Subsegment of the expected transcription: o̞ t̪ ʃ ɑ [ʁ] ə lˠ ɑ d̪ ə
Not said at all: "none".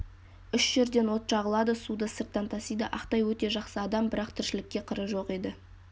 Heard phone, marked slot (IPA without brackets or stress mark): ʁ